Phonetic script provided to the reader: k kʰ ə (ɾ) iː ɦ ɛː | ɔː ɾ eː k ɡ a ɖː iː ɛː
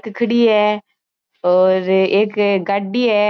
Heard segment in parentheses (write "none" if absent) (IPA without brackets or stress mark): ɽ